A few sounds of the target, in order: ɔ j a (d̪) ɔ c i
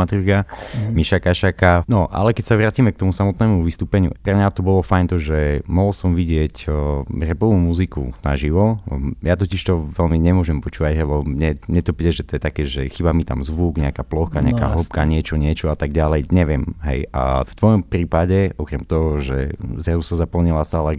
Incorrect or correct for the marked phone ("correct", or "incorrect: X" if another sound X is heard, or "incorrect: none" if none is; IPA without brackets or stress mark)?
incorrect: t̪